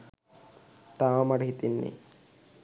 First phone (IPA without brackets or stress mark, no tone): t̪